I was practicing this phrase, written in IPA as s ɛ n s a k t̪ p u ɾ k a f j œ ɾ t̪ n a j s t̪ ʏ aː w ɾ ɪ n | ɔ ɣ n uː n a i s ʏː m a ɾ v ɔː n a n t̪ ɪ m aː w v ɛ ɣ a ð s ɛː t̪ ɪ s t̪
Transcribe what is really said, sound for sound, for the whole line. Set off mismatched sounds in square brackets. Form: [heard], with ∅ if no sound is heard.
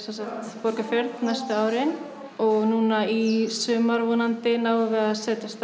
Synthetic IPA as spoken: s ɛ n s a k t̪ p [ɔ] ɾ k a f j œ ɾ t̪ n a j s t̪ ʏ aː w ɾ ɪ n | ɔ ɣ n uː n a i s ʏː m a ɾ v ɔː n a n t̪ ɪ [n] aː w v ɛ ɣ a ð s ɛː t̪ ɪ s t̪